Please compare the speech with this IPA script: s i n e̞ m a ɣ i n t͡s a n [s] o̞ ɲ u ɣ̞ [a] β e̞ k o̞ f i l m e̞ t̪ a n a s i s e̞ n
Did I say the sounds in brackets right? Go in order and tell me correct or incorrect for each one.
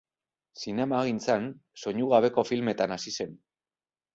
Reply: correct, correct

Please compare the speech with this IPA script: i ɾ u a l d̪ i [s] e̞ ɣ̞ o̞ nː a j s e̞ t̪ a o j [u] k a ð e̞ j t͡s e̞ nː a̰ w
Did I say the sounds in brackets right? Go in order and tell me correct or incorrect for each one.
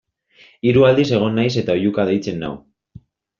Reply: correct, correct

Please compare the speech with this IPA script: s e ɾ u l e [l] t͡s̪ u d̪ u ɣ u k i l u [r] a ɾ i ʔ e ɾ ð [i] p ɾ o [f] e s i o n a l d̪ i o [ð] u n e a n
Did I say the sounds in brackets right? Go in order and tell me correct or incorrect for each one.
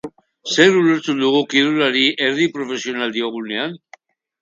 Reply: incorrect, incorrect, correct, correct, incorrect

